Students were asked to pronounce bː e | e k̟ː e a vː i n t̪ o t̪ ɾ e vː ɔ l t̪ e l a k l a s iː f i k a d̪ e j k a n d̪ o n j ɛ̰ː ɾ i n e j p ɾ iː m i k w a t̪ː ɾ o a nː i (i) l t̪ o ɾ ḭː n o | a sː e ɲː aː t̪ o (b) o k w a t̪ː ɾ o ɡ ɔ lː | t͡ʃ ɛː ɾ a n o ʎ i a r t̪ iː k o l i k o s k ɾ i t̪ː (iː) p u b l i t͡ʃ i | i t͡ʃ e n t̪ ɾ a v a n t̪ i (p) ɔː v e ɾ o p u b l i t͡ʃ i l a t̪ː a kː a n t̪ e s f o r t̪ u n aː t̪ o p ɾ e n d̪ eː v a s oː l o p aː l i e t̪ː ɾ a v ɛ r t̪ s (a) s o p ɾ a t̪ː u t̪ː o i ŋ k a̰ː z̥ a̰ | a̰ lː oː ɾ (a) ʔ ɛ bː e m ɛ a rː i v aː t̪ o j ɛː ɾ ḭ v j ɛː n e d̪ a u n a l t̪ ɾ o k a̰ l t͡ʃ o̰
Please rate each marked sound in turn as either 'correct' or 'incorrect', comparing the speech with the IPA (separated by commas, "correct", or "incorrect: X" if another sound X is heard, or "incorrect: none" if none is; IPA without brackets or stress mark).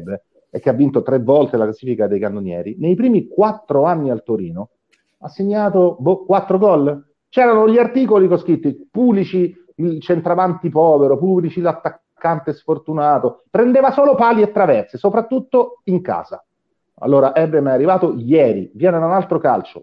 incorrect: a, correct, incorrect: i, correct, incorrect: e, correct